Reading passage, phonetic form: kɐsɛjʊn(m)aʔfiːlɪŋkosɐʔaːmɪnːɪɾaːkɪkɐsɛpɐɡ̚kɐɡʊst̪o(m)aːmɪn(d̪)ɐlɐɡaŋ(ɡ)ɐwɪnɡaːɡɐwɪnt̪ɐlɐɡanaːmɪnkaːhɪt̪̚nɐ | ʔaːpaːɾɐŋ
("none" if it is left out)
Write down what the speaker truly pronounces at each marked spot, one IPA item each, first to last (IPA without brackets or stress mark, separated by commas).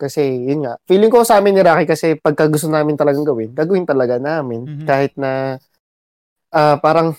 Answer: ŋ, n, t̪, ɡ